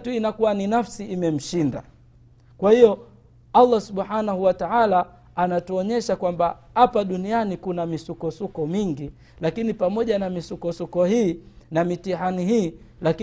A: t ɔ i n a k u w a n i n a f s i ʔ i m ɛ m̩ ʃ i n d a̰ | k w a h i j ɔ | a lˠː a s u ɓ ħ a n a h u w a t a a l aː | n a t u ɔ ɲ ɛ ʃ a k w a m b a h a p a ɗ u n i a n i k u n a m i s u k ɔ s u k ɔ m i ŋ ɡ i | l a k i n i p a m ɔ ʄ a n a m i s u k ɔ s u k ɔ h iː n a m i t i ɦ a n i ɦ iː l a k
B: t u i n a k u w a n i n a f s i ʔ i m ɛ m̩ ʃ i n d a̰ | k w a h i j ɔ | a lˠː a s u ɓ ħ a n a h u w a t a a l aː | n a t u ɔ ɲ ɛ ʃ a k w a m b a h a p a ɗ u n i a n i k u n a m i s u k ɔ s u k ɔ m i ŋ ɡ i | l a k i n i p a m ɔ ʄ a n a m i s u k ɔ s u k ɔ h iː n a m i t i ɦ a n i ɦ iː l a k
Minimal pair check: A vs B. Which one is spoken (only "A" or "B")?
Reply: B